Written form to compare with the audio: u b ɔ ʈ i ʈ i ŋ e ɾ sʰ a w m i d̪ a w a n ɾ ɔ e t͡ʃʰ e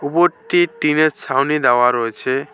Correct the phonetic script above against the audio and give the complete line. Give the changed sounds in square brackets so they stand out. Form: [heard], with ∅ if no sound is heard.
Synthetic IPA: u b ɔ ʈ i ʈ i [n] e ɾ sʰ a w [n] i d̪ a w a [∅] ɾ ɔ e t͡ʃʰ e

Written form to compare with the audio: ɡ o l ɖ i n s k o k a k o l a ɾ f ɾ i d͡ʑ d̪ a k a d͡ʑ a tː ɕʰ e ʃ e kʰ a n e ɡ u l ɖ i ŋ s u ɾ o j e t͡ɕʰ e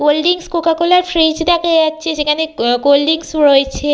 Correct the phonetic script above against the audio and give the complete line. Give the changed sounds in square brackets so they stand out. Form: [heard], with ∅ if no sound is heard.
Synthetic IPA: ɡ o l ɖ i [ŋ] s k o k a k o l a ɾ f ɾ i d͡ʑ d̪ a k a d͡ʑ a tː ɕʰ e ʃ e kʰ a n e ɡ [o] l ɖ i ŋ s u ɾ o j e t͡ɕʰ e

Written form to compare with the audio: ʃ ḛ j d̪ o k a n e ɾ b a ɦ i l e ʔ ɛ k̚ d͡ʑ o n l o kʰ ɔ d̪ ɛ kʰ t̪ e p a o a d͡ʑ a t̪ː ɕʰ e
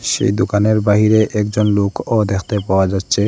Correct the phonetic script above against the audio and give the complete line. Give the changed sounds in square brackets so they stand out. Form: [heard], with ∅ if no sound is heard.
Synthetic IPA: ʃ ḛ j d̪ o k a n e ɾ b a ɦ i [ɾ] e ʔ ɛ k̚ d͡ʑ o n l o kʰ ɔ d̪ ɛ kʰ t̪ e p a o a d͡ʑ a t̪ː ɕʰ e

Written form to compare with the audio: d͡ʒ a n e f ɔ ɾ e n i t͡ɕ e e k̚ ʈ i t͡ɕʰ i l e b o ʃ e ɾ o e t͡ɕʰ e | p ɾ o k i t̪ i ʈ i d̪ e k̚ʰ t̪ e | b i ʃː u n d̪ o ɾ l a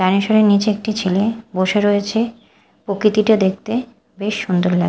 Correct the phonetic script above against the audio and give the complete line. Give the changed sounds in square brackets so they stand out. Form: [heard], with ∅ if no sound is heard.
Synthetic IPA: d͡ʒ a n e [ʃ] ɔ ɾ e n i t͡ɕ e e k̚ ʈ i t͡ɕʰ i l e b o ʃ e ɾ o e t͡ɕʰ e | p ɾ o k i t̪ i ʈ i d̪ e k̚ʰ t̪ e | b [e] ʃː u n d̪ o ɾ l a

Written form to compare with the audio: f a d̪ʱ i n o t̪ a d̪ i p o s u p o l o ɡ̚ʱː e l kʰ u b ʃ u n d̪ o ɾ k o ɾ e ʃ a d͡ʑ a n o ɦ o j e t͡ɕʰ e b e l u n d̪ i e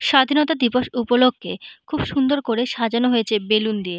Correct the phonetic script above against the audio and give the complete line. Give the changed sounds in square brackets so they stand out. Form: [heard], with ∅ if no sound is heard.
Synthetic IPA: [ʃ] a d̪ʱ i n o t̪ a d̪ i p o [ʃ] u p o l o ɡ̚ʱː e [∅] kʰ u b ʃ u n d̪ o ɾ k o ɾ e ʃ a d͡ʑ a n o ɦ o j e t͡ɕʰ e b e l u n d̪ i e

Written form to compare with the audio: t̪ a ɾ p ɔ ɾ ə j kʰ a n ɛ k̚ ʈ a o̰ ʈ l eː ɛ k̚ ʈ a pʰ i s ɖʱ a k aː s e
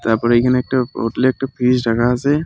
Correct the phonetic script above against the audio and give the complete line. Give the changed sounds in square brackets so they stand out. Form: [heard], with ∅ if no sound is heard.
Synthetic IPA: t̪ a ɾ p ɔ ɾ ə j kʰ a n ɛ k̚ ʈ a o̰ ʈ l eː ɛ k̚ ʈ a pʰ i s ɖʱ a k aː s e

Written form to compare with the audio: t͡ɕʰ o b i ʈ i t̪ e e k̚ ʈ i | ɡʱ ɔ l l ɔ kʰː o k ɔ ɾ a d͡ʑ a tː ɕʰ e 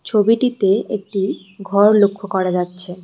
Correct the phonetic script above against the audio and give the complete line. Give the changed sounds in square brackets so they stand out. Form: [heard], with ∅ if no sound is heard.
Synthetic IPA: t͡ɕʰ o b i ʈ i t̪ e e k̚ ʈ i | ɡʱ ɔ [ɾ] l [o] kʰː o k ɔ ɾ a d͡ʑ a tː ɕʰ e

